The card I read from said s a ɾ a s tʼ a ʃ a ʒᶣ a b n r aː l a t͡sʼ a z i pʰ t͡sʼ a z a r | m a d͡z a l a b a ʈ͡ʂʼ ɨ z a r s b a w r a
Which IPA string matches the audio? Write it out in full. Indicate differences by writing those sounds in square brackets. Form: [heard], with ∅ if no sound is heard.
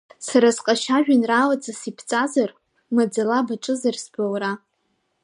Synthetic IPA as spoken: s a ɾ a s [qʼ] a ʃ a ʒᶣ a [∅] n r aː l a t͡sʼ a [s] i pʰ t͡sʼ a z a r | m a d͡z a l a b a ʈ͡ʂʼ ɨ z a r s b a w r a